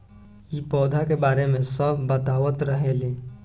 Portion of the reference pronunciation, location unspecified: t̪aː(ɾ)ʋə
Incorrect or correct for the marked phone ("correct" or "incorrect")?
incorrect